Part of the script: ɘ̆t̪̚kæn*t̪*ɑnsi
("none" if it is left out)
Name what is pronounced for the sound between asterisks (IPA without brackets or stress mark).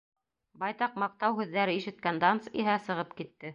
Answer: d̪